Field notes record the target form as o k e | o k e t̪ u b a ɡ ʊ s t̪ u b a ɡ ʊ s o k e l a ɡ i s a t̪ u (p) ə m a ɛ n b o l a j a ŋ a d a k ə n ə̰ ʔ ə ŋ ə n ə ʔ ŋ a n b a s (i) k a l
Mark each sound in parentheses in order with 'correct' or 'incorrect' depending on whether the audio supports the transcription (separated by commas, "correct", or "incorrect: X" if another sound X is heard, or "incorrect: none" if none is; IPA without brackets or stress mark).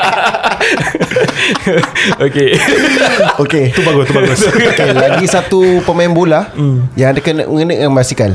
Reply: correct, correct